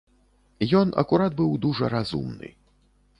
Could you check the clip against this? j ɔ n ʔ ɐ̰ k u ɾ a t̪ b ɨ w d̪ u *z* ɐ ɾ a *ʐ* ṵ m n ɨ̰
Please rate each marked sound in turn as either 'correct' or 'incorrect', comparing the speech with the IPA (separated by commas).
incorrect, incorrect